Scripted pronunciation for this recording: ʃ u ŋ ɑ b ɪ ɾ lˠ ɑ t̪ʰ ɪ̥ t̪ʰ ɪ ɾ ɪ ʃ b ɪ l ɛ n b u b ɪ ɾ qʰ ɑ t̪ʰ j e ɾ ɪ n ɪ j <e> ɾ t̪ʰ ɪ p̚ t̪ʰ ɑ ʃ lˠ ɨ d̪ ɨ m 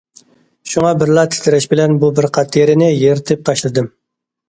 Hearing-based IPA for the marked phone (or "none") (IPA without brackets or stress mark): e